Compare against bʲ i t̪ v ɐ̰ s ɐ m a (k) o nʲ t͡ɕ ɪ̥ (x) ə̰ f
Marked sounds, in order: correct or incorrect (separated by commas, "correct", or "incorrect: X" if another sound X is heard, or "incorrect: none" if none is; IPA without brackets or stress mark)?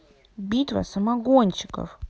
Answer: incorrect: ɡ, incorrect: k